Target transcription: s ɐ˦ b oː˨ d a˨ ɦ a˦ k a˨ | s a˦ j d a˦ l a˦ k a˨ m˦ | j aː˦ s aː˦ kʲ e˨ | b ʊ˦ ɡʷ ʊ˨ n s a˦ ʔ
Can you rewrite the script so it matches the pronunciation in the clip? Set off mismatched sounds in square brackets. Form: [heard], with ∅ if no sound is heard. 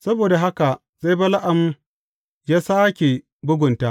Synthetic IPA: s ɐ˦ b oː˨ d a˨ ɦ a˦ k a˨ | [z] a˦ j [b] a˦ l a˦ [ʔ] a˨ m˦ | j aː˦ s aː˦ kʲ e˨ | b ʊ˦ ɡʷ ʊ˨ n [t] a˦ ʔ